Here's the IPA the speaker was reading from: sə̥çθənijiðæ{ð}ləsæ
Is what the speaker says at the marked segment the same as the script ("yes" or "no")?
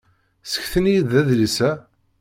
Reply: yes